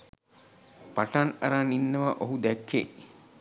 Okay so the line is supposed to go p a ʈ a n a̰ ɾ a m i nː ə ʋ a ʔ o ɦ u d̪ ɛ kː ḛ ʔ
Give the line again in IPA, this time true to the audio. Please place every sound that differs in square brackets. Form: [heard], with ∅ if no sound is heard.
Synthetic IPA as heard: p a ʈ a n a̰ ɾ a [n] i nː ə ʋ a ʔ o ɦ u d̪ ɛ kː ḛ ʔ